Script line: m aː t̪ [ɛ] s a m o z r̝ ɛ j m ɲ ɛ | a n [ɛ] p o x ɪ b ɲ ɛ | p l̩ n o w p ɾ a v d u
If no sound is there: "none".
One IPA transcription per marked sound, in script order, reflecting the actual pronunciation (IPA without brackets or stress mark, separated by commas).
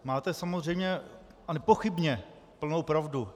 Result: ɛ, ɛ